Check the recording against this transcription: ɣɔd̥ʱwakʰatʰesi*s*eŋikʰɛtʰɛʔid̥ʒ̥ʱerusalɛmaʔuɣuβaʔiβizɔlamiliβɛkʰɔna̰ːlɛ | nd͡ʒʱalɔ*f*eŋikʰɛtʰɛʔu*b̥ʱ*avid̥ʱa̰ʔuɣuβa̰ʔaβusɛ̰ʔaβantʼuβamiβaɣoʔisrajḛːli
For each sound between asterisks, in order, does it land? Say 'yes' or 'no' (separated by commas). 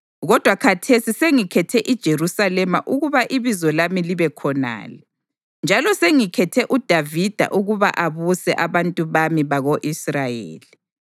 yes, no, no